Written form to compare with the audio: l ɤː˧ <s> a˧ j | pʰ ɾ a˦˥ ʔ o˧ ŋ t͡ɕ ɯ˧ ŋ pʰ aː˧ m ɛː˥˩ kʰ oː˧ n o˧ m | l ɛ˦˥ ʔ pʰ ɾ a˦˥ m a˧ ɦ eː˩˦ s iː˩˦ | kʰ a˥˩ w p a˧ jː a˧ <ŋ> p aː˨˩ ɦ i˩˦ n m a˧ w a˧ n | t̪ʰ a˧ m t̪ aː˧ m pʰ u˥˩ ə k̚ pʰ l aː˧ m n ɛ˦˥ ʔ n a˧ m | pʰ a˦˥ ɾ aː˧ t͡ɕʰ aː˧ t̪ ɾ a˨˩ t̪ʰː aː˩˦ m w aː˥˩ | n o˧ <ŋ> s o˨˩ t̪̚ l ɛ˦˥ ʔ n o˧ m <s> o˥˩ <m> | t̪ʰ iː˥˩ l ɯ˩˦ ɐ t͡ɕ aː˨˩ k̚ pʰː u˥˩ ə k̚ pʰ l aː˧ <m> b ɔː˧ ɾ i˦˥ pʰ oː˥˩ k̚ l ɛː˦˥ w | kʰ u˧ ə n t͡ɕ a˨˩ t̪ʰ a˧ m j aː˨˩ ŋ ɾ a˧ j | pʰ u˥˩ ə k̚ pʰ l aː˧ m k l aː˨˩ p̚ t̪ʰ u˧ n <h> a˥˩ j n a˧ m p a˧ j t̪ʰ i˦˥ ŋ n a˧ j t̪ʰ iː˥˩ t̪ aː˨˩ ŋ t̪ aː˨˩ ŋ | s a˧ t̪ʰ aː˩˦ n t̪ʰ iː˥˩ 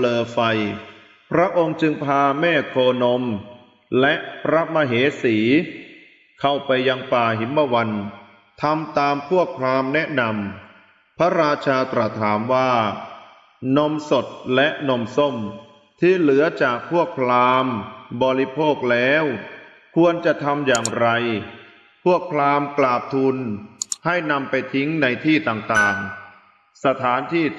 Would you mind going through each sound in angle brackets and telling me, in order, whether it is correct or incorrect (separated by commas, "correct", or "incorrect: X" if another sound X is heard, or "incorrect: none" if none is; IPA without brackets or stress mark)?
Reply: incorrect: f, correct, incorrect: m, correct, correct, correct, correct